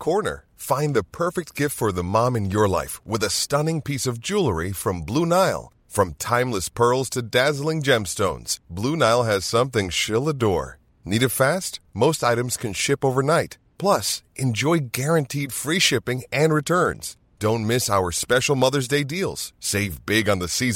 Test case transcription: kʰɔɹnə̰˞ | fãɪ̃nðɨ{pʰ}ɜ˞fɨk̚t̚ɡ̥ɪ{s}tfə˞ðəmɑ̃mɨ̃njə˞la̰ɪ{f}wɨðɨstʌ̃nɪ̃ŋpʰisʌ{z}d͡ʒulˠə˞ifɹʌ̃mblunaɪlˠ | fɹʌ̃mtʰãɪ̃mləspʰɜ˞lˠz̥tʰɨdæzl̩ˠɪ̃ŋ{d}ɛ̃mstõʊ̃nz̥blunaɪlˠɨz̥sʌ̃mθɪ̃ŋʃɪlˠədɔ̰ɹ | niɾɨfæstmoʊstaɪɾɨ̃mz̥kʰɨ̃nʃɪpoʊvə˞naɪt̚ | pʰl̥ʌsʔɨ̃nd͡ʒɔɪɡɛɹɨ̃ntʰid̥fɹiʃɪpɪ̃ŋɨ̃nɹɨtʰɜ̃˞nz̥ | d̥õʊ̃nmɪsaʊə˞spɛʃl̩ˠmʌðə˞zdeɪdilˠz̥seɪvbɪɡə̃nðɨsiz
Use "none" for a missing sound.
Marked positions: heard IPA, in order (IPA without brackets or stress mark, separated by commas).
pʰ, f, f, v, d͡ʒ